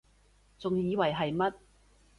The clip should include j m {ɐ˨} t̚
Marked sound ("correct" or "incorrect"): incorrect